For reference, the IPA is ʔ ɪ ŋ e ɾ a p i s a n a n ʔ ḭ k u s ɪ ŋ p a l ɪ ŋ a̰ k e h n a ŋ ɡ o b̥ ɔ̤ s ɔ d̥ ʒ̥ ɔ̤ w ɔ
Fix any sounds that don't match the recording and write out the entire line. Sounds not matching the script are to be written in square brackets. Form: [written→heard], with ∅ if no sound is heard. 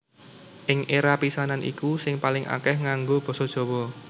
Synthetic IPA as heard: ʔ ɪ ŋ e ɾ a p i s a n a n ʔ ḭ k u s ɪ ŋ p a l ɪ ŋ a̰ k [e→ɛ] h [n→ŋ] a ŋ ɡ o b̥ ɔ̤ s ɔ d̥ ʒ̥ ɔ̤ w ɔ